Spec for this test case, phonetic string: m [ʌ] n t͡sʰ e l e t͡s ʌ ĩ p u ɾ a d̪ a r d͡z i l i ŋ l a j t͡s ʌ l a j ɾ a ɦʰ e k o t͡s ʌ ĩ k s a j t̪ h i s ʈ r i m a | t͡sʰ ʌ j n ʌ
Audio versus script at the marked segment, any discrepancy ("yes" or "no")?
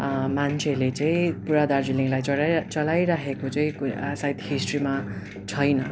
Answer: yes